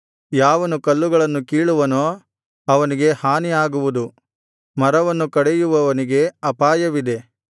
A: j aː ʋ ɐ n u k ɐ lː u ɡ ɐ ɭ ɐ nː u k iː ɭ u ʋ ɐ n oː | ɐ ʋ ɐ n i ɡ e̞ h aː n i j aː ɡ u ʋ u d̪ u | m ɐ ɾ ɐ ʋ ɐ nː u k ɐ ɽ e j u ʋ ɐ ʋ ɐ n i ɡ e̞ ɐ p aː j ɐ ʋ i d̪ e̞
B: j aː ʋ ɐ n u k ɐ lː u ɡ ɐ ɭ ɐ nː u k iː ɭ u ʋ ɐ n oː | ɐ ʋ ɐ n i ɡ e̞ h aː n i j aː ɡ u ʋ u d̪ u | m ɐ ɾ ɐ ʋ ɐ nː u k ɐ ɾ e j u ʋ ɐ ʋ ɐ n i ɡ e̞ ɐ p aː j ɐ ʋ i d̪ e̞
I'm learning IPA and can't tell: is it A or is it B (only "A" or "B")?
A